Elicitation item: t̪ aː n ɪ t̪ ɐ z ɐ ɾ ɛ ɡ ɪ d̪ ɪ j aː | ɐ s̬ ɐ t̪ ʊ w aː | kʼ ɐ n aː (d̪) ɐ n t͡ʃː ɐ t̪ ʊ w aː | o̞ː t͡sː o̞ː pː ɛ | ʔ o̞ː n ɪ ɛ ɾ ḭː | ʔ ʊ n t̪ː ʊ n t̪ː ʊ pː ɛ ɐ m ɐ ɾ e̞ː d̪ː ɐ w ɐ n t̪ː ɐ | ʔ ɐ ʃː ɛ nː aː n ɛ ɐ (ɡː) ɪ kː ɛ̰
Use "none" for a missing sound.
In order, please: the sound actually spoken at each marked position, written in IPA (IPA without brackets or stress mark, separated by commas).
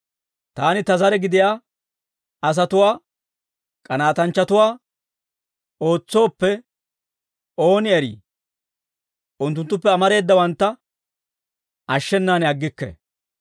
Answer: t̪, ɡː